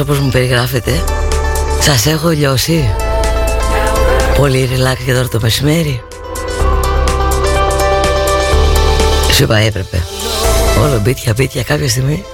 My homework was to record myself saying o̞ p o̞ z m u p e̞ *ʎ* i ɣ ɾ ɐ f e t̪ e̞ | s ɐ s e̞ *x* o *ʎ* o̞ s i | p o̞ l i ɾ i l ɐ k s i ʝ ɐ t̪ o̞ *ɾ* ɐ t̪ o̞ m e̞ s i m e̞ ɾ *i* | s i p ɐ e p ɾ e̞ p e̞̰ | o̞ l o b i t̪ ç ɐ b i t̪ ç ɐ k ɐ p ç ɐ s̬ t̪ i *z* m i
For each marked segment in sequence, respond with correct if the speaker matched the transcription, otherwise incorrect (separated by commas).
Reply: incorrect, correct, correct, correct, correct, incorrect